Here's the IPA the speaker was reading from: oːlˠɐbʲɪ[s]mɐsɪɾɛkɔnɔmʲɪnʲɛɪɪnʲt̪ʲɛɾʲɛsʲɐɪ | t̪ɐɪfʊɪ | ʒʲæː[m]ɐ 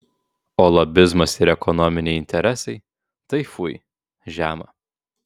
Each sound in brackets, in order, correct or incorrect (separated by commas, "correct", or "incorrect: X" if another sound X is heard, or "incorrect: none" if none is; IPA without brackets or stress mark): incorrect: z, correct